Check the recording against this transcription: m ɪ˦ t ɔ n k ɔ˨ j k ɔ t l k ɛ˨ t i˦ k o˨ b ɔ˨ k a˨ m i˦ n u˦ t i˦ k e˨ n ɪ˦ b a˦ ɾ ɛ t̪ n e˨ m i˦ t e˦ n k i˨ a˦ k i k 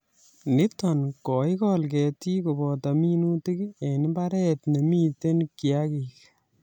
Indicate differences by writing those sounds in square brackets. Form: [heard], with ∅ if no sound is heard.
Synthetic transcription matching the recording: [n] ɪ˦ t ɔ n k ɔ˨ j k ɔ [∅] l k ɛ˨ t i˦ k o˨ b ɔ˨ [t] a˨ m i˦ n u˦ t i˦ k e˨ n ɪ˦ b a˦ ɾ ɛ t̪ n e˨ m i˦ t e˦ n k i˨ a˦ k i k